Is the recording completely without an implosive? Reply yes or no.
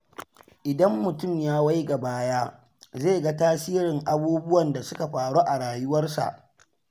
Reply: yes